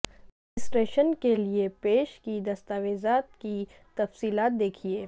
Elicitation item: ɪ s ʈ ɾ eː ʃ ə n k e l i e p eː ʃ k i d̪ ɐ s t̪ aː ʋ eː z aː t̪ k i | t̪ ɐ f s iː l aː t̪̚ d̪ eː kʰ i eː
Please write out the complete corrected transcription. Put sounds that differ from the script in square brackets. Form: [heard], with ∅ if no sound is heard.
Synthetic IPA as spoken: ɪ s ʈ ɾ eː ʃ ə n k e l i e p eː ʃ k i d̪ ɐ s t̪ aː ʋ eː z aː t̪ k i | t̪ ɐ f s iː l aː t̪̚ d̪ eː kʰ i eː